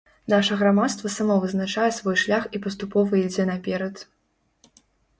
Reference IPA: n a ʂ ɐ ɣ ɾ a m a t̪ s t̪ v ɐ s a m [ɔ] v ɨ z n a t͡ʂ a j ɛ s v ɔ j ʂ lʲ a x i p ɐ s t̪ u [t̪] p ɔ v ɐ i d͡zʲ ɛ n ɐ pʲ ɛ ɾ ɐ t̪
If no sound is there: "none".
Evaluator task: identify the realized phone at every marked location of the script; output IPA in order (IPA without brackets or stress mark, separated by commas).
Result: ɔ, none